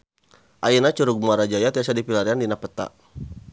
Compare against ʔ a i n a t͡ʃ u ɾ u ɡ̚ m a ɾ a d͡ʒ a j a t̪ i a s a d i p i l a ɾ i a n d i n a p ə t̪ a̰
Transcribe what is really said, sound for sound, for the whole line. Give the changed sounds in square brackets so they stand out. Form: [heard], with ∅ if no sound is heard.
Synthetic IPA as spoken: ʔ a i n a t͡ʃ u ɾ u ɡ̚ m a ɾ a d͡ʒ a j a t̪ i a s a d i p i l a ɾ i a n d i n a p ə t̪ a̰